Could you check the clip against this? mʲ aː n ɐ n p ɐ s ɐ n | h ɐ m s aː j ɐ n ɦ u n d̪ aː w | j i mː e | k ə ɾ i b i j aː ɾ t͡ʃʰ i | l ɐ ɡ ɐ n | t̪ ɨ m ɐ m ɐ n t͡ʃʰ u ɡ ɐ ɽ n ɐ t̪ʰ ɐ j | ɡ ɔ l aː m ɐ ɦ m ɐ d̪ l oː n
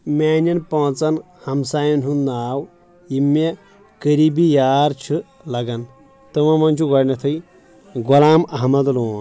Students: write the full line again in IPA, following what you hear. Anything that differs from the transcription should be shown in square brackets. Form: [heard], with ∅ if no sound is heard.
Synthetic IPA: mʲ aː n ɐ n p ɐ [t͡s] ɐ n | h ɐ m s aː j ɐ n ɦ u n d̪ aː w | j i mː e | k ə ɾ i b i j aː ɾ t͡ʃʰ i | l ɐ ɡ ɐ n | t̪ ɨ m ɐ m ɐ n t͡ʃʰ u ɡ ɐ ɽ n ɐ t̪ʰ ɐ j | ɡ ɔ l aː m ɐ ɦ m ɐ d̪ l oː n